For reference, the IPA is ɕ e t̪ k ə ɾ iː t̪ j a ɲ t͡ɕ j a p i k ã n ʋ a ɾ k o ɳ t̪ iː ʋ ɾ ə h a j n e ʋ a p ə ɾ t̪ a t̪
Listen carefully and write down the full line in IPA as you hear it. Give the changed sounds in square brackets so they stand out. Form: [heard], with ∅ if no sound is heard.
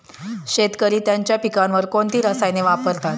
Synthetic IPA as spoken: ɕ e t̪ k ə ɾ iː t̪ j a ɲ t͡ɕ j a p i k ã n ʋ [ə] ɾ k o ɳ t̪ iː [∅] ɾ ə [s] a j n e ʋ a p ə ɾ t̪ a t̪